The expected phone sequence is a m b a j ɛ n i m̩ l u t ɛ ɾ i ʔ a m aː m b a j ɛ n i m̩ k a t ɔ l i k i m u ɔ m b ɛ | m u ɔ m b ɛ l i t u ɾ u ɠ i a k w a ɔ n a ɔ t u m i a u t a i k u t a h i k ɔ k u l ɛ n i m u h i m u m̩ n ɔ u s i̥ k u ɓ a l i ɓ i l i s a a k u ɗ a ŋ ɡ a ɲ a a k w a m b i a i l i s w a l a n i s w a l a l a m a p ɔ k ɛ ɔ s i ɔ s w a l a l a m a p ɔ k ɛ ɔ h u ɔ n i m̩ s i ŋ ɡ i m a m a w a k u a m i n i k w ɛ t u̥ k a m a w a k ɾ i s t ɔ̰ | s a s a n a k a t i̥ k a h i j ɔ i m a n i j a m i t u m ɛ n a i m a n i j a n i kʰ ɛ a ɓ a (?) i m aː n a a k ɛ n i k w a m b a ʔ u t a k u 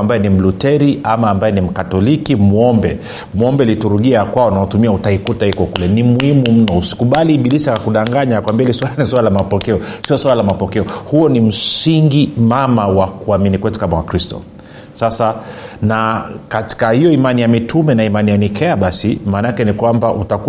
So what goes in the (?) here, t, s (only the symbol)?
s